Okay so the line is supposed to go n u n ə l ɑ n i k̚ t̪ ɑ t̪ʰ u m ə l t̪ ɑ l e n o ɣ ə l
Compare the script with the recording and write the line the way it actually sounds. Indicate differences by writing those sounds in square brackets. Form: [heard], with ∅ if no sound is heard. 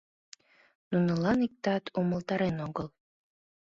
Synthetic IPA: n u n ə l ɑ n i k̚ t̪ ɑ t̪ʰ u m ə l t̪ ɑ [ɾ] e n o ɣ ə l